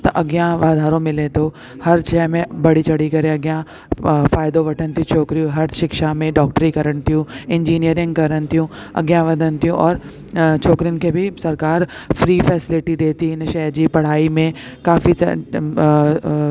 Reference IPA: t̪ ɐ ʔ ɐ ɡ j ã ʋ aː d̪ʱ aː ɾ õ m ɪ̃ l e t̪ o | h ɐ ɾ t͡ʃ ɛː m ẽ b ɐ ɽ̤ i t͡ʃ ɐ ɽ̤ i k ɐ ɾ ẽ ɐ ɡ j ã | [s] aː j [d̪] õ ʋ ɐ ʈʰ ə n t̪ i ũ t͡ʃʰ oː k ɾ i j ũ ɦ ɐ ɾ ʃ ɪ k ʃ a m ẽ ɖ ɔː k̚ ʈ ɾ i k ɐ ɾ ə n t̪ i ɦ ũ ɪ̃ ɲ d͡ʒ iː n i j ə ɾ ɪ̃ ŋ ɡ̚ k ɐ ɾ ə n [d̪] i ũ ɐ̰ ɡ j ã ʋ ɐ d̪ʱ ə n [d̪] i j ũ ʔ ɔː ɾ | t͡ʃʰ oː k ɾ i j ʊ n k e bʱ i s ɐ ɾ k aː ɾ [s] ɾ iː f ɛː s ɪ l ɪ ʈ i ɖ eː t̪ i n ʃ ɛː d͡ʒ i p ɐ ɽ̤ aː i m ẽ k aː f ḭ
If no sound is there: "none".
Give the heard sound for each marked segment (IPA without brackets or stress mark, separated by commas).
f, d̪, t̪, t̪, f